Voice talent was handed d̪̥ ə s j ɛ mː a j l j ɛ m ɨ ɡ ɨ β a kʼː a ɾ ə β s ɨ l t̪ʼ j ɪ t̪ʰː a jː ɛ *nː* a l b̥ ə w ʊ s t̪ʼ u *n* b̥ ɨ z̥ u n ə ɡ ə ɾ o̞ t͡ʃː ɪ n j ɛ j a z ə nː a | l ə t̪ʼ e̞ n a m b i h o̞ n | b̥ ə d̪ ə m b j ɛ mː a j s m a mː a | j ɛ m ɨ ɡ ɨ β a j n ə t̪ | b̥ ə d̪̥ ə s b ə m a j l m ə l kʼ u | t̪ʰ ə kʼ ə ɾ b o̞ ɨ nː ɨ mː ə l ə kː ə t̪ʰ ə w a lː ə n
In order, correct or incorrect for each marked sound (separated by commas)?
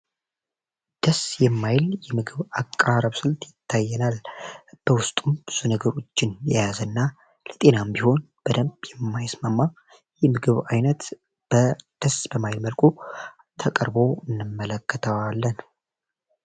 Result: incorrect, incorrect